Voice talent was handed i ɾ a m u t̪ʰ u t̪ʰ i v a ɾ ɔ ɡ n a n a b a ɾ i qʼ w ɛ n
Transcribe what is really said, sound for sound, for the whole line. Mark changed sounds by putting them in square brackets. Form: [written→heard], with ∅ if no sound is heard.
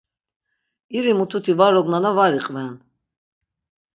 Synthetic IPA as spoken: i ɾ [a→i] m u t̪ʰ u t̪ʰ i v a ɾ ɔ ɡ n a n a [b→v] a ɾ i qʼ [w→v] ɛ n